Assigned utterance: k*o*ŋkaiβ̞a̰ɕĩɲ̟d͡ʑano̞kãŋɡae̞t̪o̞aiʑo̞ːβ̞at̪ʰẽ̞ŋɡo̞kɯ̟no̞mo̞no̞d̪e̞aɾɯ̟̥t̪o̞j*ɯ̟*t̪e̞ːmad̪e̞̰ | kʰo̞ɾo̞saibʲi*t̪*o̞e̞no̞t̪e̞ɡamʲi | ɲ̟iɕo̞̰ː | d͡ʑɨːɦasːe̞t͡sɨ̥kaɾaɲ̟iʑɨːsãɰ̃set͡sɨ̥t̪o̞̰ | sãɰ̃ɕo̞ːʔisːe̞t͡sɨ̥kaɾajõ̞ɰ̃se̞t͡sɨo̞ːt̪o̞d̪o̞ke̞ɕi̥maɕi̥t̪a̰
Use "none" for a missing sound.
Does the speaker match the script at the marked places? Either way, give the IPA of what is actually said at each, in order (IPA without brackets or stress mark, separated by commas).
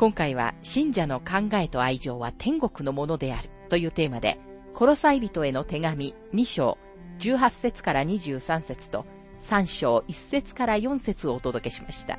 õ, ɯ̟ː, t̪